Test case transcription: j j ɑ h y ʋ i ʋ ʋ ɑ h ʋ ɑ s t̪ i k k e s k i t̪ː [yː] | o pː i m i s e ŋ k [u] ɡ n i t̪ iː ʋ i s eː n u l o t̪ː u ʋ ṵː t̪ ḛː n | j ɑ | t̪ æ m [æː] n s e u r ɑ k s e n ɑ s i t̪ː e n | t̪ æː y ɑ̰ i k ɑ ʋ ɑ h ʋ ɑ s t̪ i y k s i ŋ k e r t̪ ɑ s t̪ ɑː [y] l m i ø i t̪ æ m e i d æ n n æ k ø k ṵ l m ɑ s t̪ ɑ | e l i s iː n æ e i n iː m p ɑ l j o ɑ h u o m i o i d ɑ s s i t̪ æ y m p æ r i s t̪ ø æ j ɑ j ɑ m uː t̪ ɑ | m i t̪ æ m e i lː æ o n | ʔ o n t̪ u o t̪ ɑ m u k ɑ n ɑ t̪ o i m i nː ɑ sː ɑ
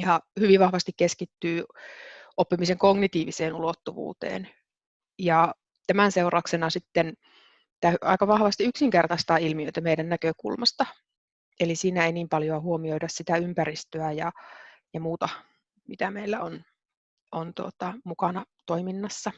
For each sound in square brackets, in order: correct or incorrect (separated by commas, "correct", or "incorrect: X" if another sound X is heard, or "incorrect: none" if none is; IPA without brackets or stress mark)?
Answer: correct, incorrect: o, incorrect: æ, incorrect: i